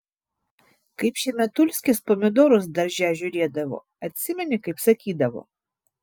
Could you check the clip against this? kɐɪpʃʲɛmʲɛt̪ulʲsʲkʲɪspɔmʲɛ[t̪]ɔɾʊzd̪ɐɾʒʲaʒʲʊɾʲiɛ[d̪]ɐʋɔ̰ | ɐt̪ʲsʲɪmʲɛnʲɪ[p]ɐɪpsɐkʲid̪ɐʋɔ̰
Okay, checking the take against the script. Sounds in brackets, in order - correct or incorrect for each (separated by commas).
incorrect, correct, incorrect